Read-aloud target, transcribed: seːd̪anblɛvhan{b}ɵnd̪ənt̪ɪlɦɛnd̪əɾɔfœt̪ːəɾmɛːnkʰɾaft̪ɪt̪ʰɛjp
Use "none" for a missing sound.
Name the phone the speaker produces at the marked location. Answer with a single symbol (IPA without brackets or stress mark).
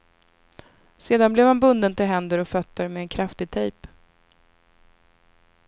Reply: b